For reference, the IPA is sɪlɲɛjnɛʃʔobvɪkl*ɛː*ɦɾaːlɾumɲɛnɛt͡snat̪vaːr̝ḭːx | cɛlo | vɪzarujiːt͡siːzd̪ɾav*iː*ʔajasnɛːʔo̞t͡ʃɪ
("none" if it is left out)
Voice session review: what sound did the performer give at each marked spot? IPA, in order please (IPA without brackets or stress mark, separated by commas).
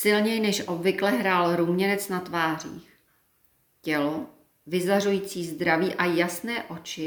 ɛ, iː